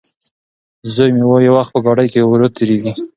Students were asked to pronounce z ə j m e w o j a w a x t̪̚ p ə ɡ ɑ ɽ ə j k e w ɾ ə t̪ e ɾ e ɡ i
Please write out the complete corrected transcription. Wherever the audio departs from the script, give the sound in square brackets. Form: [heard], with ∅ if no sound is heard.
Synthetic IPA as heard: z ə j m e w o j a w a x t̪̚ p ə ɡ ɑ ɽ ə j k e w ɾ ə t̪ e ɾ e ɡ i